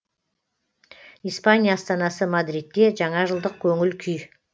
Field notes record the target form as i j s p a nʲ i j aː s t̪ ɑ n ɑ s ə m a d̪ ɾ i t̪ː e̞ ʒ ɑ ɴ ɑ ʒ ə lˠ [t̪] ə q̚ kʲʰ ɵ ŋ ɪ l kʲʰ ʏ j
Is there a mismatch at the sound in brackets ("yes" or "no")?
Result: yes